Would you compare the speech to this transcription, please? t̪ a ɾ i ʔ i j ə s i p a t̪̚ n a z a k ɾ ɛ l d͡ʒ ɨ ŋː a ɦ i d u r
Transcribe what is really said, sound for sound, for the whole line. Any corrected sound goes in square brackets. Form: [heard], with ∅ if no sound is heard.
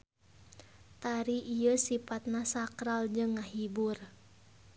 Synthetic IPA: t̪ a ɾ i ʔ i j ə s i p a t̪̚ n a [s] a k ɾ [a] l d͡ʒ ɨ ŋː a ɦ i [b] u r